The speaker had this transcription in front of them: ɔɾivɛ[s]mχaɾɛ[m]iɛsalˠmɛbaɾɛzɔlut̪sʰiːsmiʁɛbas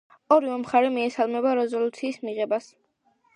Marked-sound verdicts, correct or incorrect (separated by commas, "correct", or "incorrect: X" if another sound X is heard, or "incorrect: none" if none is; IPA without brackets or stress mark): incorrect: none, correct